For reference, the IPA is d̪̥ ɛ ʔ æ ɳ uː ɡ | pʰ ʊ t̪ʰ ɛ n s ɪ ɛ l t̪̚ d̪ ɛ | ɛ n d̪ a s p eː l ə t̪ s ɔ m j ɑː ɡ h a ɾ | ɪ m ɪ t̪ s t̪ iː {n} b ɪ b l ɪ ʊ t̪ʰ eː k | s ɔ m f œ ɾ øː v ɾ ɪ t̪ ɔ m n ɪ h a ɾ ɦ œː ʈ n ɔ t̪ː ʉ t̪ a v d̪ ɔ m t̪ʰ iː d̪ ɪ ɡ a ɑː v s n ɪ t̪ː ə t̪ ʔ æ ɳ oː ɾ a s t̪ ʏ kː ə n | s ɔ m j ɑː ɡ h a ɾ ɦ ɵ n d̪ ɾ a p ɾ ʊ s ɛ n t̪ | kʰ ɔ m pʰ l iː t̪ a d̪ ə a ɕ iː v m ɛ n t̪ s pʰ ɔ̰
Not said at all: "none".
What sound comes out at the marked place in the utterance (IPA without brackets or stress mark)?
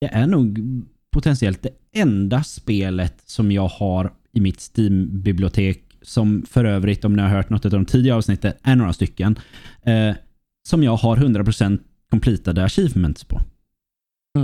m